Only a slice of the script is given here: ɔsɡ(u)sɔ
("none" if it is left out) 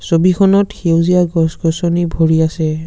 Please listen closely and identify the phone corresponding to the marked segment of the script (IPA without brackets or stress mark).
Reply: ɔ